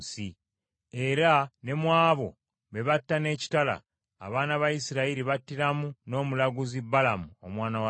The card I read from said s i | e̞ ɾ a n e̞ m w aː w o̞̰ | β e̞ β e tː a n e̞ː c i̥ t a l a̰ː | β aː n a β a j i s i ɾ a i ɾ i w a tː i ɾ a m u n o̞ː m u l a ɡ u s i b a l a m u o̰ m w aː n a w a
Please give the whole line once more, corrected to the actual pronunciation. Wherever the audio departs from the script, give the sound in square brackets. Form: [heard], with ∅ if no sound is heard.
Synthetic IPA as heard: s i | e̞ ɾ a n e̞ m w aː [β] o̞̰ | β e̞ β [a] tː a n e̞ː c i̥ t a l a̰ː | β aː n a β a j i s i ɾ a i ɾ i [β] a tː i ɾ a m u n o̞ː m u l a ɡ u [z] i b a l a m u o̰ m w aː n a w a